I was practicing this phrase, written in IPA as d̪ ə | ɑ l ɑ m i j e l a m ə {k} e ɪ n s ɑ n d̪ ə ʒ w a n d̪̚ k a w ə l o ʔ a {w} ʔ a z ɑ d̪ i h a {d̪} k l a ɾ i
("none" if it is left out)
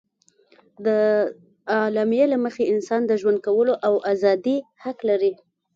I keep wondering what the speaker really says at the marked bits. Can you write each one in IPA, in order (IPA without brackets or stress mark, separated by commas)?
x, w, none